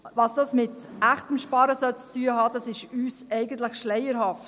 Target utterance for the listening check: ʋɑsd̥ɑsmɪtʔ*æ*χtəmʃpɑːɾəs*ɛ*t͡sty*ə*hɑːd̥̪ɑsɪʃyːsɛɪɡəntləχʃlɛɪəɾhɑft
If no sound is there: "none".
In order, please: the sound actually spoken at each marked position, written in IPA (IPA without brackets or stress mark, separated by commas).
æ, œ, ə